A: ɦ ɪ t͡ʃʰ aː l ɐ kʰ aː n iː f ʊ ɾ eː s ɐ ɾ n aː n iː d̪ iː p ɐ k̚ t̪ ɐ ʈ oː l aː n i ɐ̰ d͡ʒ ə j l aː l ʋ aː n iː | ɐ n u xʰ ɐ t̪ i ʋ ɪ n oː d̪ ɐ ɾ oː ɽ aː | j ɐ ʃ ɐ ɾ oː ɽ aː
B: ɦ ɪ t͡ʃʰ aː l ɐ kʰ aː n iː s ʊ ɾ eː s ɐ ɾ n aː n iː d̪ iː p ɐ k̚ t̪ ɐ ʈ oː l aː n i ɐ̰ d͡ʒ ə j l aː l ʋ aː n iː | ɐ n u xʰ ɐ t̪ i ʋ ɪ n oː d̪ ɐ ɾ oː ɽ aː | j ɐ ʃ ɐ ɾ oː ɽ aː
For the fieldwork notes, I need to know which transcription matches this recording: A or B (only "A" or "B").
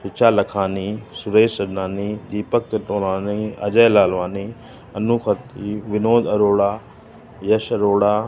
B